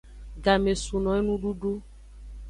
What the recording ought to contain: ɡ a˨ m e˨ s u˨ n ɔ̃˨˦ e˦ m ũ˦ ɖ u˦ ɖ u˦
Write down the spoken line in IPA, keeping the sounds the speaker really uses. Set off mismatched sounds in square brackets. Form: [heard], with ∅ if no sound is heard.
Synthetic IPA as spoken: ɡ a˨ m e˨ s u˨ n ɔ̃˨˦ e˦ [n] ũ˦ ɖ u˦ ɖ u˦